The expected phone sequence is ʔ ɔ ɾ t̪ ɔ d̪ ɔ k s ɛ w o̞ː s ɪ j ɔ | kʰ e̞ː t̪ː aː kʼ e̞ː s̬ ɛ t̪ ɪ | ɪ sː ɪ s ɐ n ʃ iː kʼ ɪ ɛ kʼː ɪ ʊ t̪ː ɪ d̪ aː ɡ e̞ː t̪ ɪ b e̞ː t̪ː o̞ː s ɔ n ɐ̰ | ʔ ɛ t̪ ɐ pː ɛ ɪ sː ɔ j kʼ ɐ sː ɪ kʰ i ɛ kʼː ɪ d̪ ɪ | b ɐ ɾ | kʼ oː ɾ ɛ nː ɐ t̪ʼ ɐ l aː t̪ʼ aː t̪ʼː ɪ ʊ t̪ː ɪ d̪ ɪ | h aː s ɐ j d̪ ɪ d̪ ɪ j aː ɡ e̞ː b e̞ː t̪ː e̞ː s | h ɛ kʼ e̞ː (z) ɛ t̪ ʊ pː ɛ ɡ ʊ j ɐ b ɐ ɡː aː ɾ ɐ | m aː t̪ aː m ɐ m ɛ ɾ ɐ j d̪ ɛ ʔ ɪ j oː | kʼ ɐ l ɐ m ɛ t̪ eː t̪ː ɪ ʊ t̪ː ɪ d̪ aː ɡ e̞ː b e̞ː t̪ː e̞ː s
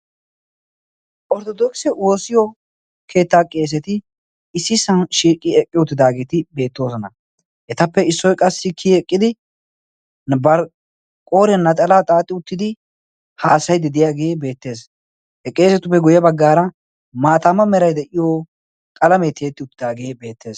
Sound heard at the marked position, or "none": s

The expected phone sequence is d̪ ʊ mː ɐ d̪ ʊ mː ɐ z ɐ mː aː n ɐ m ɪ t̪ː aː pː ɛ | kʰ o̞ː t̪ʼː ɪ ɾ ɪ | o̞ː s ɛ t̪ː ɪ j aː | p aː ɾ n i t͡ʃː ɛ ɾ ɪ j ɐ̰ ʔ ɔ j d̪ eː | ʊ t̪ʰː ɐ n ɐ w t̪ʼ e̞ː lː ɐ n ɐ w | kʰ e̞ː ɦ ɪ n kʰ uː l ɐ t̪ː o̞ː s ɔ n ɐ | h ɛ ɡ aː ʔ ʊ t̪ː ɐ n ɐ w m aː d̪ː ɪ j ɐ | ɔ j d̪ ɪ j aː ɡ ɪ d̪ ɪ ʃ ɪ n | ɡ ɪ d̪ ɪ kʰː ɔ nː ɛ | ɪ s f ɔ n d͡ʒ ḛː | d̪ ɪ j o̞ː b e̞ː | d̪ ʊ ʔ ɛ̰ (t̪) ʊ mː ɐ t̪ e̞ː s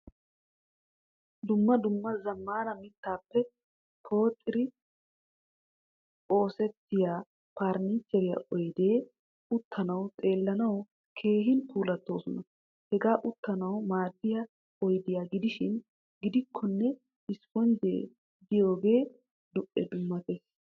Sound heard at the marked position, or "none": d̪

